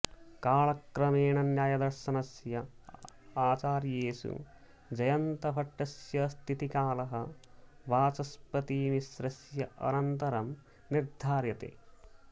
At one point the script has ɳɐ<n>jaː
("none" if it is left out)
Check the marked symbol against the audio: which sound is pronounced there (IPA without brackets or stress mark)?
n